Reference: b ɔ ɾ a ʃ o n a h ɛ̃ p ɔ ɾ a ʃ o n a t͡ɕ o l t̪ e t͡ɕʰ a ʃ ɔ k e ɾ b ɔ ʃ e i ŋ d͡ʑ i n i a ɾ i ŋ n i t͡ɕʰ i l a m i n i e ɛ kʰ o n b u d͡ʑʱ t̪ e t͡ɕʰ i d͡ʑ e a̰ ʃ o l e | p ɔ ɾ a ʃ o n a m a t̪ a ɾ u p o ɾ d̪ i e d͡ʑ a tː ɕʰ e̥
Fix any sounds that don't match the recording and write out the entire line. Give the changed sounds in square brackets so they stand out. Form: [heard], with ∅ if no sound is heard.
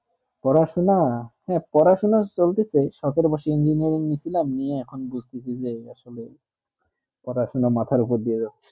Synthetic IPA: [p] ɔ ɾ a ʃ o n a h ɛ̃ p ɔ ɾ a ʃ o n a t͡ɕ o l t̪ e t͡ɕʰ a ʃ ɔ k e ɾ b ɔ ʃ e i [n] d͡ʑ i n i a ɾ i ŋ n i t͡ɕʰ i l a m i n i e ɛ kʰ o n b u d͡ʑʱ t̪ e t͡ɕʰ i d͡ʑ e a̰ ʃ o l e | p ɔ ɾ a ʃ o n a m a [t̪ʰ] a ɾ u p o ɾ d̪ i e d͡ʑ a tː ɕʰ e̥